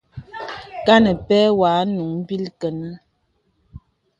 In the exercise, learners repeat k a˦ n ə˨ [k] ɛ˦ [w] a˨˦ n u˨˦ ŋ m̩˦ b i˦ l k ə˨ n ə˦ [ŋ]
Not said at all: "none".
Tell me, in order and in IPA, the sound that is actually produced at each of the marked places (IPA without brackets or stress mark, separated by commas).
p, w, none